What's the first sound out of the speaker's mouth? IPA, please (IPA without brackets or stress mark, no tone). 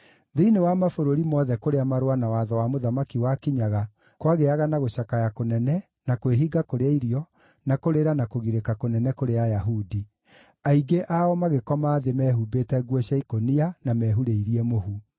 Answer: ð